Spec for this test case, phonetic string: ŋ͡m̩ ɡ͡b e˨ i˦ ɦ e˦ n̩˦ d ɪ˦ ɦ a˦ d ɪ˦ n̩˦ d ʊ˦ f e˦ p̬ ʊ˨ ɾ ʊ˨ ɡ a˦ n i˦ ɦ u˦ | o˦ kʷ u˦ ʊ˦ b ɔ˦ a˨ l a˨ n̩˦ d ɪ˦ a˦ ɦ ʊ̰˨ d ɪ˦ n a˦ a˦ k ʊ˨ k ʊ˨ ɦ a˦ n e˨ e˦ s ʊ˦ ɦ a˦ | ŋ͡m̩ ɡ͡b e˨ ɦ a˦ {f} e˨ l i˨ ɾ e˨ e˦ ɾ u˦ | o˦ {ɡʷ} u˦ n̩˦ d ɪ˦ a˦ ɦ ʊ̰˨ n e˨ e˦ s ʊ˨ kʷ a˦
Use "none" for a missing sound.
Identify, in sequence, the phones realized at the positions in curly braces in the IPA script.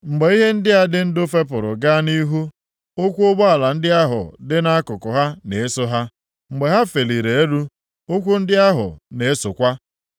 f, kʷ

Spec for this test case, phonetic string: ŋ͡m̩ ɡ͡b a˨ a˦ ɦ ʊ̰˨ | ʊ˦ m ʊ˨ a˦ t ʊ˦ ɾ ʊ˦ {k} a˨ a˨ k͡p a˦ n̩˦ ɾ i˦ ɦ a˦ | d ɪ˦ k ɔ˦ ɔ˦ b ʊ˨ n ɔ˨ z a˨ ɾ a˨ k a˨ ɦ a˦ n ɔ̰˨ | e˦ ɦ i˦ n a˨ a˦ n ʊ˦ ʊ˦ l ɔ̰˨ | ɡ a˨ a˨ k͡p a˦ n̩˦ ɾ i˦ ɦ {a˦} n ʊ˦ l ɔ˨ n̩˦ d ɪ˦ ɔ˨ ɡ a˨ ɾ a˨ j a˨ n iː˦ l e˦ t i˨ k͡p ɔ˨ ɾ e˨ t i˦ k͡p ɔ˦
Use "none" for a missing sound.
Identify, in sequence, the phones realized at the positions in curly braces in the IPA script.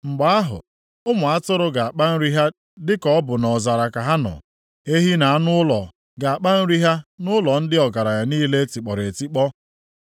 ɡ, a˦

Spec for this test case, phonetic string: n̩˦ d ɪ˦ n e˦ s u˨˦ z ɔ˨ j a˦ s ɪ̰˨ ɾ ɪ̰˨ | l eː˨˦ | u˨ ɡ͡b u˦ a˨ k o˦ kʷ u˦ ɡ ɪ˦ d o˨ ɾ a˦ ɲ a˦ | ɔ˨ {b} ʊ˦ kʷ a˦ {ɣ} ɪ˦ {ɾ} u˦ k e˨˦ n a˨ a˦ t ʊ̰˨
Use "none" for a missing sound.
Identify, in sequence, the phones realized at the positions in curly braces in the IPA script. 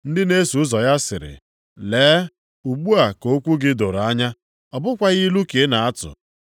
b, ɣ, l

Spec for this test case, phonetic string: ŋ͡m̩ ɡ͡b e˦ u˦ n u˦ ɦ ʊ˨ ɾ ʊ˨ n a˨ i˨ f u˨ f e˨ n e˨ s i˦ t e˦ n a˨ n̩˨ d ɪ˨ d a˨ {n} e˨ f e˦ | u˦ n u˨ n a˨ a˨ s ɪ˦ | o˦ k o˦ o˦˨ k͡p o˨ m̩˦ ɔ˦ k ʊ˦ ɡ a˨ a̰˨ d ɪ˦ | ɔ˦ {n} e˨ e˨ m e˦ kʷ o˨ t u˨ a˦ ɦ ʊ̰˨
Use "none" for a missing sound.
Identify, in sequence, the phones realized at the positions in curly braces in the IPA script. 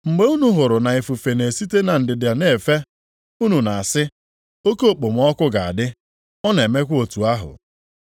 n, n

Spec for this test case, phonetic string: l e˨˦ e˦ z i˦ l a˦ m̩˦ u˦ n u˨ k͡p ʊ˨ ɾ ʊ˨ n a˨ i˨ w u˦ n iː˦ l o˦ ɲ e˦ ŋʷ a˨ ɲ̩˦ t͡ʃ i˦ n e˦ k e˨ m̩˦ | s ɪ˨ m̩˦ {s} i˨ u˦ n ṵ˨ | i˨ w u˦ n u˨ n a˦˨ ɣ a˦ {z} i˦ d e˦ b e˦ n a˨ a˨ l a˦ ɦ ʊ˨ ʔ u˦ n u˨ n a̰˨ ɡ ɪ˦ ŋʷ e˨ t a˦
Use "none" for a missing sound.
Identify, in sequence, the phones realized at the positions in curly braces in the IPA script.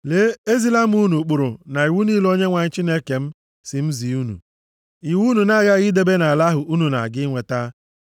z, ɣ

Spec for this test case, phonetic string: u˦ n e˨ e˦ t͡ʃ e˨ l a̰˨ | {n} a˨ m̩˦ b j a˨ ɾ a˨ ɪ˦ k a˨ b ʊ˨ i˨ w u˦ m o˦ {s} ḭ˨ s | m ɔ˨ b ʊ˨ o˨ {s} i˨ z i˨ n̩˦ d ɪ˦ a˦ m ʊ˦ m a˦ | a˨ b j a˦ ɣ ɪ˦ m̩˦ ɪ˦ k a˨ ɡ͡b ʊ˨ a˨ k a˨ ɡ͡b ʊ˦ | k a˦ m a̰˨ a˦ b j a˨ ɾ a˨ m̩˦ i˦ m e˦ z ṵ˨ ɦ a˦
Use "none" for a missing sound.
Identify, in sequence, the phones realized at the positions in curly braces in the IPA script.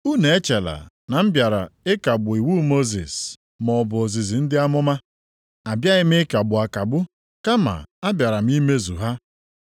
n, z, z

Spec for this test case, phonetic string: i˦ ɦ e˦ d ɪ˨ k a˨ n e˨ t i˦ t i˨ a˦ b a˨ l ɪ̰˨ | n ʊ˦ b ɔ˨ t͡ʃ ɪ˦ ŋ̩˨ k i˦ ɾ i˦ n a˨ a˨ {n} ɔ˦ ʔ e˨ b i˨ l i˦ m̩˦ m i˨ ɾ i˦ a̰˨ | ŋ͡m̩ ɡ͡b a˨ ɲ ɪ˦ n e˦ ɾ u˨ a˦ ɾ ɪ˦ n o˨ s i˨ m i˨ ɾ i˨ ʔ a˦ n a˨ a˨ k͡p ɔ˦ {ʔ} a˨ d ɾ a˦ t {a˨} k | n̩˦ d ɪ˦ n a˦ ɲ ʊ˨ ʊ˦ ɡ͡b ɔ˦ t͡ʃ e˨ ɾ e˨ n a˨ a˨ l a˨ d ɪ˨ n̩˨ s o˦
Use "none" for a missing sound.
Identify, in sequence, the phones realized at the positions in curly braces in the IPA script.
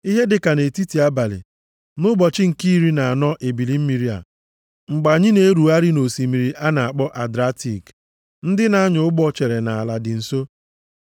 n, ʔ, i˨

